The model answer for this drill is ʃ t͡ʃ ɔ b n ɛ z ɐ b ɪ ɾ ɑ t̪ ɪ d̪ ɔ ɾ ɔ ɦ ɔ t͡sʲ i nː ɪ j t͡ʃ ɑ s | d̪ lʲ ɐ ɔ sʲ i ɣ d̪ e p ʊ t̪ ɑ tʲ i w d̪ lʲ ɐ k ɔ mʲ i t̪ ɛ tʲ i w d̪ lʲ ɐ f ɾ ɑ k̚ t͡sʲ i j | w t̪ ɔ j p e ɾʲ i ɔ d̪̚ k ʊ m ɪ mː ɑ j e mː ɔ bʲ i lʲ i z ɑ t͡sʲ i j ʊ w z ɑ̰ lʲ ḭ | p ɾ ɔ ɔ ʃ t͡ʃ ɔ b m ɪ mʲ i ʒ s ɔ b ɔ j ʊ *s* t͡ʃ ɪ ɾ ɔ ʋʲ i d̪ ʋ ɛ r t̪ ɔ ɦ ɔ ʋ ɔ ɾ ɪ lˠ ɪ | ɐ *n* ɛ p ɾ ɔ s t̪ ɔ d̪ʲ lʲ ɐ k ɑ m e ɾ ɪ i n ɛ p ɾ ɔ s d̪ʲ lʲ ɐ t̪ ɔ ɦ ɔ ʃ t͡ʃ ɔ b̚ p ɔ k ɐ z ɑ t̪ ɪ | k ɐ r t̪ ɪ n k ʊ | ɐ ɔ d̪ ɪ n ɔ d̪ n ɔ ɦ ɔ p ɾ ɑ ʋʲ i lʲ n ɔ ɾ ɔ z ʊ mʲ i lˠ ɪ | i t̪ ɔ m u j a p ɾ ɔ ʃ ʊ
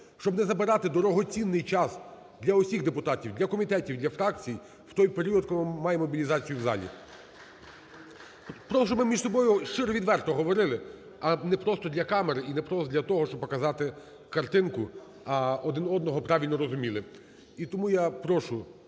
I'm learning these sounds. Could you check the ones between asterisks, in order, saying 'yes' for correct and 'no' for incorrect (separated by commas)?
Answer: no, yes